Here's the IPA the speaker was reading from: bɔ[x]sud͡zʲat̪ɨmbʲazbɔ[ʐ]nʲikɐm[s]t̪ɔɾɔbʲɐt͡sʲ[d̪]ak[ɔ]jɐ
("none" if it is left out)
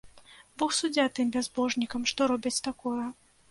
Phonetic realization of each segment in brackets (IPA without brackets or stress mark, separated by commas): x, ʐ, ʂ, t̪, ɔ